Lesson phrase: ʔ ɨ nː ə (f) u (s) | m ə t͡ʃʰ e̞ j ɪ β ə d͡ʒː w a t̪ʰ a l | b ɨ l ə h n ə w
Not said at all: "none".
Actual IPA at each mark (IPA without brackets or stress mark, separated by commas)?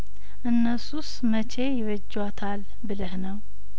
s, s